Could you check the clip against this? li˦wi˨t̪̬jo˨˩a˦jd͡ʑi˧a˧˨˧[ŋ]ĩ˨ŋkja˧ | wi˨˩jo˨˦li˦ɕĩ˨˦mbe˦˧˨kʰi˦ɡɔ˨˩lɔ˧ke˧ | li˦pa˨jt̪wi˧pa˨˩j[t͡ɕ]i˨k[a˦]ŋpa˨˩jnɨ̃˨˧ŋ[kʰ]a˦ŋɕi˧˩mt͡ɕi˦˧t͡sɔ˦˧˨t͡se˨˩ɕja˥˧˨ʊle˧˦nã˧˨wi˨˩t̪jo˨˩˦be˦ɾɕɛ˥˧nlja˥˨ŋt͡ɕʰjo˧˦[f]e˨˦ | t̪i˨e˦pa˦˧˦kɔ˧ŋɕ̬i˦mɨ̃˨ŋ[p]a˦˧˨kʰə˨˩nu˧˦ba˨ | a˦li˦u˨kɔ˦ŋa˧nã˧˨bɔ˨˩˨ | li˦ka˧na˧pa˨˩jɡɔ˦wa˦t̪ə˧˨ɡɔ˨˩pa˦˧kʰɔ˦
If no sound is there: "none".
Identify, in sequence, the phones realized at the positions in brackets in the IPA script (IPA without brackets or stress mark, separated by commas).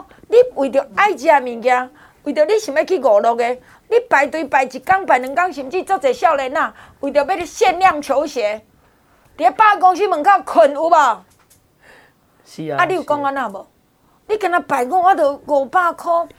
m, t͡ɕ, a˦, k, ɕ, k